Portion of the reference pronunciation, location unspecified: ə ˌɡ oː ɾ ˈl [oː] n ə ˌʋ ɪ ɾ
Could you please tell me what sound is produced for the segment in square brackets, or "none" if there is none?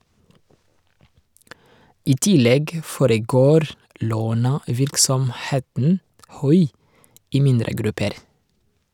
oː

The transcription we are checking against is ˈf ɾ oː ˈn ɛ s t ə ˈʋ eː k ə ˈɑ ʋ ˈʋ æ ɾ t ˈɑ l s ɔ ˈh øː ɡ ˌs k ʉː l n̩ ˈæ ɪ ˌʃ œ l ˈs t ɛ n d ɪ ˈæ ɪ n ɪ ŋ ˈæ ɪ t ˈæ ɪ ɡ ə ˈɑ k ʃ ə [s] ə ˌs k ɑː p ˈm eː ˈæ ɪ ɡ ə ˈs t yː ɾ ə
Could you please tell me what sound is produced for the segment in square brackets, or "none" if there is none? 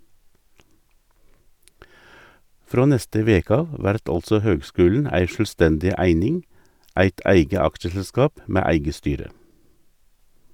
s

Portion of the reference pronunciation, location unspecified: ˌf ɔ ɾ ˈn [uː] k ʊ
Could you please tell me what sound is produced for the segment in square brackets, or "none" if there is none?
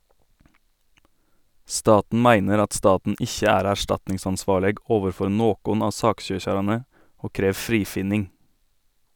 oː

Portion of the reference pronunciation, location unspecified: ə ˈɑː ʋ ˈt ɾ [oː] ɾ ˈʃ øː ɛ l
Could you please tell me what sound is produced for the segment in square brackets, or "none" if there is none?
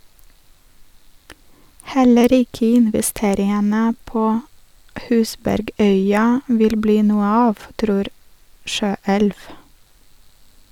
uː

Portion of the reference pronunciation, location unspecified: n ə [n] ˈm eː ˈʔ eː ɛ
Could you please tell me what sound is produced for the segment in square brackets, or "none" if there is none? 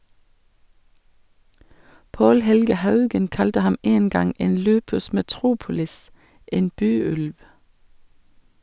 none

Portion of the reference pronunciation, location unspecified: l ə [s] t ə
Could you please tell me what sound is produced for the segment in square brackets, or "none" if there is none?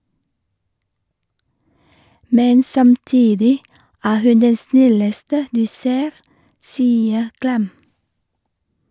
s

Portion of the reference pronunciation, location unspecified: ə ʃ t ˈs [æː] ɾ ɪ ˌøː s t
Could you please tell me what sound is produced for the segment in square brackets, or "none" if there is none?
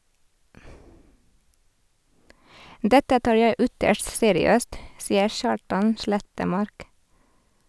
eː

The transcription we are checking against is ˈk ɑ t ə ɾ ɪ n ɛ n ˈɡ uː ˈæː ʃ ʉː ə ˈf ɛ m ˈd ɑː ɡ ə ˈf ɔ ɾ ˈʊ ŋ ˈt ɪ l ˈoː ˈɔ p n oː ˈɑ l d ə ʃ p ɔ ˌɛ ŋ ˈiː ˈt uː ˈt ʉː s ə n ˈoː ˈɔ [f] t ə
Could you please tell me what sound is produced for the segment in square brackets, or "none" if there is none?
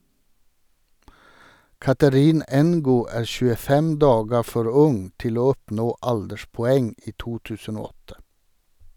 none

